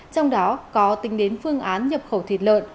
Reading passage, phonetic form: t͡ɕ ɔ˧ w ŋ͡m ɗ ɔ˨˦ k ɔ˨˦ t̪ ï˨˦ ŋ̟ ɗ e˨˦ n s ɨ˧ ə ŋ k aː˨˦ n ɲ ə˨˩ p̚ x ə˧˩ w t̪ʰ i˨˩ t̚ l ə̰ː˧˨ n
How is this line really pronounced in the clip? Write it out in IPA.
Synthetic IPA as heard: t͡ɕ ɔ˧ w ŋ͡m ɗ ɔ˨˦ k ɔ˨˦ t̪ ï˨˦ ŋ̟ ɗ e˨˦ n f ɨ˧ ə ŋ ʔ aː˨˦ n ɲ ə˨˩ p̚ x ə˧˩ w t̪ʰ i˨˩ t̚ l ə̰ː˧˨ n